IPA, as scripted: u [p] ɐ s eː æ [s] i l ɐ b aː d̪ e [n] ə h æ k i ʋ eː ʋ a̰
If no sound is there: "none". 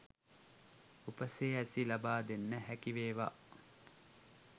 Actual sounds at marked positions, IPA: p, s, nː

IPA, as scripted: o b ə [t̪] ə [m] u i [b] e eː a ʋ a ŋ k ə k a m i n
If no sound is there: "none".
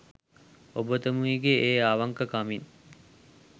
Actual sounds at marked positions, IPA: t̪, m, ɡ

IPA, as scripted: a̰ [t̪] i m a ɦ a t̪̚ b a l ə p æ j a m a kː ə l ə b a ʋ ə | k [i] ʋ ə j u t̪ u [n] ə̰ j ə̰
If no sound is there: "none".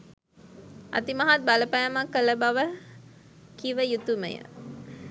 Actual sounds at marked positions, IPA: t̪, i, m

